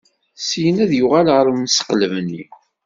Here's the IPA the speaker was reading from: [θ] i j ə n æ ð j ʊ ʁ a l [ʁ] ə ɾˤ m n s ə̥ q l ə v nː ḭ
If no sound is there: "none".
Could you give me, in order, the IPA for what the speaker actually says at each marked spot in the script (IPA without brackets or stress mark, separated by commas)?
s, ʁ